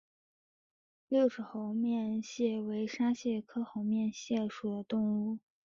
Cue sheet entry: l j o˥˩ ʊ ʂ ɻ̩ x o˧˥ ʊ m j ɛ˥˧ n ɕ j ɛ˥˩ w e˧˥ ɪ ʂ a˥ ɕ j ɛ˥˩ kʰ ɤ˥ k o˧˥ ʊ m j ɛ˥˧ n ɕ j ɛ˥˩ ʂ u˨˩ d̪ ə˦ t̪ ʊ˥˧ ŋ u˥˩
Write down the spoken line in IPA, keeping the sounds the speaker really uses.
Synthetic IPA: l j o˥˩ ʊ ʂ ɻ̩ x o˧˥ ʊ m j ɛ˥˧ n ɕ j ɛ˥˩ w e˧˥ ɪ ʂ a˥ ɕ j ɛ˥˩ kʰ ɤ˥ x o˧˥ ʊ m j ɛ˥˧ n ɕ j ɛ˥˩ ʂ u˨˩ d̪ ə˦ t̪ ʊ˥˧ ŋ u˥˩